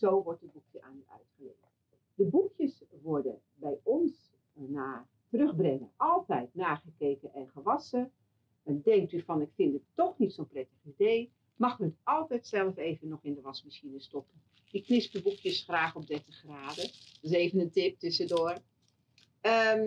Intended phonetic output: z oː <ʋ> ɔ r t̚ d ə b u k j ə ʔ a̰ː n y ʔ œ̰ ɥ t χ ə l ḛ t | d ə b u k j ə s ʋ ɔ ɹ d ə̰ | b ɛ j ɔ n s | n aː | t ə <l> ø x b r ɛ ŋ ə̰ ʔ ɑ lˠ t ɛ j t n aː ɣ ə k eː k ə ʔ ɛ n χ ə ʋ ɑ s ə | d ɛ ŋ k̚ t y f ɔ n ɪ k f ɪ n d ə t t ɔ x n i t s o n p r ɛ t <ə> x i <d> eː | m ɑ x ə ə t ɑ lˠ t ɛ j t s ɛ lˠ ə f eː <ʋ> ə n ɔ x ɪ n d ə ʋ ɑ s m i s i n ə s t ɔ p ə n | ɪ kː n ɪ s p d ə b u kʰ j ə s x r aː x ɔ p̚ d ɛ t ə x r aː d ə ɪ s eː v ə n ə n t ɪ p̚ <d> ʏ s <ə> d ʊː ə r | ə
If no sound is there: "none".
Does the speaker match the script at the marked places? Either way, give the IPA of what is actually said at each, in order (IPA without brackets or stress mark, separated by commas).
ʋ, r, ə, d, v, t, ə